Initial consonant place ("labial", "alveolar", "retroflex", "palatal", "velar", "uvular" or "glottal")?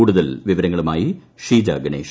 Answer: retroflex